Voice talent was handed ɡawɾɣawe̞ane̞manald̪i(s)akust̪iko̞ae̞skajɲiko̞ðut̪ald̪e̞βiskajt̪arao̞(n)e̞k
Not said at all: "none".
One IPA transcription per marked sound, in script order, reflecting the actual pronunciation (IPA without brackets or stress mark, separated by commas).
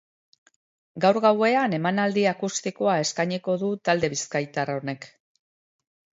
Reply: none, n